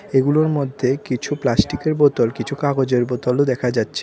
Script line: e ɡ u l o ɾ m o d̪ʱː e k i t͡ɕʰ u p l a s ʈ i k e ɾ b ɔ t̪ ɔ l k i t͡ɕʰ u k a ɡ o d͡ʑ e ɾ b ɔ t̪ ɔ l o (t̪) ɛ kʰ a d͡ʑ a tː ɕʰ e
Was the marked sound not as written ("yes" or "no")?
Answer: yes